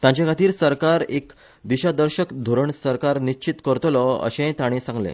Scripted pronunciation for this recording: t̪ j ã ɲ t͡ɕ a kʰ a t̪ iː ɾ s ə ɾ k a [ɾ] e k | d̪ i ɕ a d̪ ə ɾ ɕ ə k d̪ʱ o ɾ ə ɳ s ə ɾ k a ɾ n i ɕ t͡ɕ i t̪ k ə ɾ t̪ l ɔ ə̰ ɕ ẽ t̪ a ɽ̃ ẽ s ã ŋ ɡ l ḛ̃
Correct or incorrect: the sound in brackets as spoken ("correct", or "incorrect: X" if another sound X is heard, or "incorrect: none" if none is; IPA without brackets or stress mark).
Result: correct